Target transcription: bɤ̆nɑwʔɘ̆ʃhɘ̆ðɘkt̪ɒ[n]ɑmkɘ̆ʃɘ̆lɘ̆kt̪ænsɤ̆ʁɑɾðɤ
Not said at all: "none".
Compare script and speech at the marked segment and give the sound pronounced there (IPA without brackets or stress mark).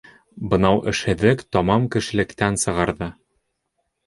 m